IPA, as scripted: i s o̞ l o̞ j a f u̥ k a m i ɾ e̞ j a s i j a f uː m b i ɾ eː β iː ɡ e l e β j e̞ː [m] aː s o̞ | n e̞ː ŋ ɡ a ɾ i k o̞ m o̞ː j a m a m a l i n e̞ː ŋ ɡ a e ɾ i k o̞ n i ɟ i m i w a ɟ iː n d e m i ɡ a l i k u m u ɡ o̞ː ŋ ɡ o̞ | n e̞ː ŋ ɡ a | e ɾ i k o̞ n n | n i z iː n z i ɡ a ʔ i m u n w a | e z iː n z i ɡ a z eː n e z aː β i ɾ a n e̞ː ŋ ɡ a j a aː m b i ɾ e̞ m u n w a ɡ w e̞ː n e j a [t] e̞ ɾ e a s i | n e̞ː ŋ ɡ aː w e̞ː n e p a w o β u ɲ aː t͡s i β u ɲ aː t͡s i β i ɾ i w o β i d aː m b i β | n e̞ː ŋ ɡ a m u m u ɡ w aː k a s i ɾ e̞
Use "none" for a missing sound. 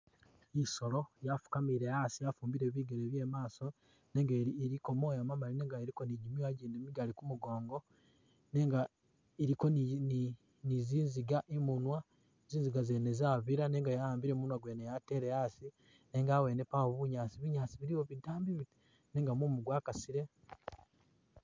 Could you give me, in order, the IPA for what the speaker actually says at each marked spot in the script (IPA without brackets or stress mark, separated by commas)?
m, t